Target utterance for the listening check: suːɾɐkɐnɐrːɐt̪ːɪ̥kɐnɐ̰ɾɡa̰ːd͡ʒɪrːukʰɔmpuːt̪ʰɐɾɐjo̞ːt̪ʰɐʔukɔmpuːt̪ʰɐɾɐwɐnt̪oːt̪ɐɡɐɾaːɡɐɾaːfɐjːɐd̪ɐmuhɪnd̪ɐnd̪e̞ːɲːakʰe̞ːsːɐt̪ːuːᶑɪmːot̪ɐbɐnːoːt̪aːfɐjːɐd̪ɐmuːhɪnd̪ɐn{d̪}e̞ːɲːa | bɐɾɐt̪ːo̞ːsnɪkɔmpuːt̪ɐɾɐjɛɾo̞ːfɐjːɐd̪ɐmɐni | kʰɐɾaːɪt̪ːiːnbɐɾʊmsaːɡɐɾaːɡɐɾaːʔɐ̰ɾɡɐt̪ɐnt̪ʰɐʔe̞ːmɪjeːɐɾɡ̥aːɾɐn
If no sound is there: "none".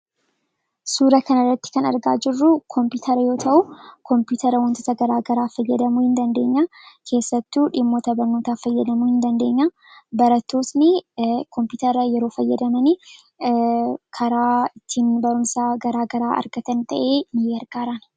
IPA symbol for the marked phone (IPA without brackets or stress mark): d̪